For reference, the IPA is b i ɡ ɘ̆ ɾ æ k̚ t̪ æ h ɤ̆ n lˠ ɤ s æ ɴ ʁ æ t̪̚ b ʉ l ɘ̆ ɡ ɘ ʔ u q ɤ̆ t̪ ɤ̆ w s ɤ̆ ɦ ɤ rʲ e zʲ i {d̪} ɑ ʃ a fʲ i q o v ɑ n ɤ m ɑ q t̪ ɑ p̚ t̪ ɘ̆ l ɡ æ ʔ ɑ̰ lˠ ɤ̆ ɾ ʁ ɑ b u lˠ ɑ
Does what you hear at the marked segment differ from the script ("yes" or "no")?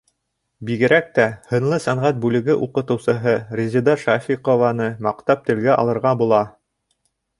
no